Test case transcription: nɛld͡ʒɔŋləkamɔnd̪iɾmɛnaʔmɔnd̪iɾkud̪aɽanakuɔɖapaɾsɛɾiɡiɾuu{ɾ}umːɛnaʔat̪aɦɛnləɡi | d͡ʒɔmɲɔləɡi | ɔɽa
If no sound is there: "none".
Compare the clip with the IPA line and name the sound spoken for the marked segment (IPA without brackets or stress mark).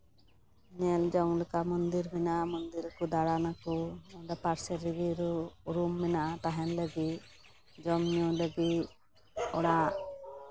ɾ